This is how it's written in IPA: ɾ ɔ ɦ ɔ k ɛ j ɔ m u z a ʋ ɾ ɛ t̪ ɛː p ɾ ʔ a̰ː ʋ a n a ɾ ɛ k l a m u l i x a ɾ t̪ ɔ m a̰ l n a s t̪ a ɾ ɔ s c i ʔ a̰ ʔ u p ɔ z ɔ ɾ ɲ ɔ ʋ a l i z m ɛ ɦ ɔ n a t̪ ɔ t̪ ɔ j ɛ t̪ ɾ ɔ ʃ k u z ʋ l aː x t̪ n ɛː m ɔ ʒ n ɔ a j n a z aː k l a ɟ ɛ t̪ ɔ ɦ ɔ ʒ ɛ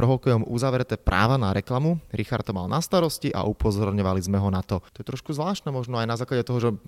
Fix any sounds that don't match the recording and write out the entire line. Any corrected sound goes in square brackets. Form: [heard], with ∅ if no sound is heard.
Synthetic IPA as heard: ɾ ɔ ɦ ɔ k ɛ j ɔ m u z a ʋ ɾ ɛ t̪ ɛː p ɾ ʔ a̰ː ʋ a n a ɾ ɛ k l a m u [ɾ] i x a ɾ t̪ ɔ m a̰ l n a s t̪ a ɾ ɔ s c i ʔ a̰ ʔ u p ɔ z ɔ ɾ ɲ ɔ ʋ a l i z m ɛ ɦ ɔ n a t̪ ɔ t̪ ɔ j ɛ t̪ ɾ ɔ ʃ k u z ʋ l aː [ʃ] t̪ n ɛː m ɔ ʒ n ɔ a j n a z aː k l a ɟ ɛ t̪ ɔ ɦ ɔ ʒ ɛ